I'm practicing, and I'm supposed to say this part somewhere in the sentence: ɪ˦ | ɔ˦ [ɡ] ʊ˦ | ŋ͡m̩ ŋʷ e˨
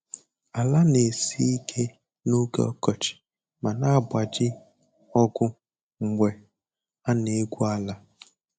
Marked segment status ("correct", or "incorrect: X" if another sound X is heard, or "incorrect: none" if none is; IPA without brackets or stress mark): correct